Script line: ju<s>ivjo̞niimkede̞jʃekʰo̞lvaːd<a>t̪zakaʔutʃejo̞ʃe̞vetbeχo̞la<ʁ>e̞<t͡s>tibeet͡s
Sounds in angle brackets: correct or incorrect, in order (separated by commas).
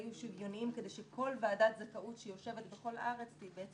incorrect, correct, correct, correct